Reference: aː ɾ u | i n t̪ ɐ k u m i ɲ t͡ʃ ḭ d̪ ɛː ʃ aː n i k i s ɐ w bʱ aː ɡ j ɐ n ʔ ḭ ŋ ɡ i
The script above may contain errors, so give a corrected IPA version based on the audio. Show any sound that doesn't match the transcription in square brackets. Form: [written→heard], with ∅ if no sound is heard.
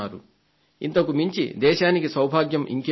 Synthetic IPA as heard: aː ɾ u | i n t̪ ɐ k u m i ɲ t͡ʃ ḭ d̪ ɛː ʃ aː n i k i s ɐ w bʱ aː ɡ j ɐ [n→m] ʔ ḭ ŋ [ɡ→k] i